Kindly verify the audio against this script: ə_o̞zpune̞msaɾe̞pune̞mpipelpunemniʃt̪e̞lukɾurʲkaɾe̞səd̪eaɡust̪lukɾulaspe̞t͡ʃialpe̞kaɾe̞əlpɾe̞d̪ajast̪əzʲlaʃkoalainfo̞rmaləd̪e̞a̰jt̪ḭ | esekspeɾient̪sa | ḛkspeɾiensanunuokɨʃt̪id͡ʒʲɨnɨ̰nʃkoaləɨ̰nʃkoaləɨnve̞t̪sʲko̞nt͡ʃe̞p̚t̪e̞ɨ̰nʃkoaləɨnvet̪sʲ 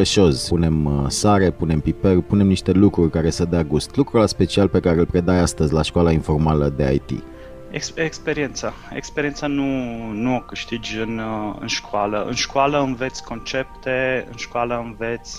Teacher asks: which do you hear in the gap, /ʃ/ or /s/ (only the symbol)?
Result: ʃ